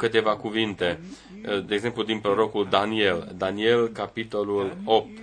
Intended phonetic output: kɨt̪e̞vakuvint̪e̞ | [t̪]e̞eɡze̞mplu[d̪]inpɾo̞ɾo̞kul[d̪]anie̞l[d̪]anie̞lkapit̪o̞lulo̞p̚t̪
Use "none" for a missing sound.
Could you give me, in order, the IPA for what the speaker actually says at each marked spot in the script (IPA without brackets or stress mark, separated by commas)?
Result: d̪, d̪, d̪, d̪